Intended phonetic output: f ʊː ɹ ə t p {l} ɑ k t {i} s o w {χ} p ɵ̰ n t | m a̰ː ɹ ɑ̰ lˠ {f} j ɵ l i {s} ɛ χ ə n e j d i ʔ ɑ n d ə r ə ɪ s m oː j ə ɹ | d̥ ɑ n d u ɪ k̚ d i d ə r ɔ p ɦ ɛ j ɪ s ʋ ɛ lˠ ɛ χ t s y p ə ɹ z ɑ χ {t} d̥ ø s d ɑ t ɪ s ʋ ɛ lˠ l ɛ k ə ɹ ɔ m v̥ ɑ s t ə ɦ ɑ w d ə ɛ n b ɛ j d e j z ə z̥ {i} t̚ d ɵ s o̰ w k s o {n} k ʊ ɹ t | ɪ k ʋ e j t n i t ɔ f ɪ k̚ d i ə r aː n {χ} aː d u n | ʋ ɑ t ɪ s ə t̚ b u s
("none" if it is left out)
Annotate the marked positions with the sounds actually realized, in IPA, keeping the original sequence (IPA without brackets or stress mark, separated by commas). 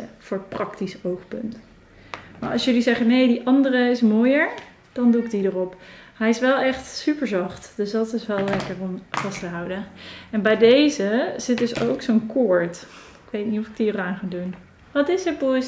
r, i, χ, s, z, t, ɪ, n, χ